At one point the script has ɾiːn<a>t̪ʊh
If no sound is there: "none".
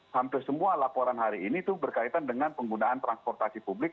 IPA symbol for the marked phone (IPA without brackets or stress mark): i